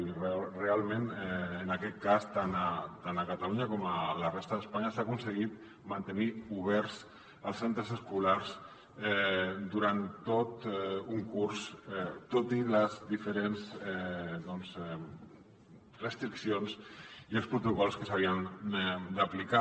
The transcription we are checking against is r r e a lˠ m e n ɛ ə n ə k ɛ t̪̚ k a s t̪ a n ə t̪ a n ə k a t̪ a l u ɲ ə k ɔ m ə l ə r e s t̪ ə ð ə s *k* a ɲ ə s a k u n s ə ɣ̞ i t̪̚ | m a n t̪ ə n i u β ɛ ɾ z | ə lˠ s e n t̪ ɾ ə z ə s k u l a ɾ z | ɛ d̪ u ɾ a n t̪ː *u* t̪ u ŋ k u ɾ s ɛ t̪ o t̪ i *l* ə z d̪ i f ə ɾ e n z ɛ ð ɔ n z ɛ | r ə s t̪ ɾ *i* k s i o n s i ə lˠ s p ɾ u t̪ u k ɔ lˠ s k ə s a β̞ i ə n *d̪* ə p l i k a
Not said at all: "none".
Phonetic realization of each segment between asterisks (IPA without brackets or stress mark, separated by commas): p, o, l, i, d̪